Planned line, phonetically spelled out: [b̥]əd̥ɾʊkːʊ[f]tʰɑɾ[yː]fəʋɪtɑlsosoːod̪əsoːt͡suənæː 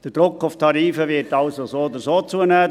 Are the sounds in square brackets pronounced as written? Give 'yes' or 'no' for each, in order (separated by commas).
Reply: no, yes, no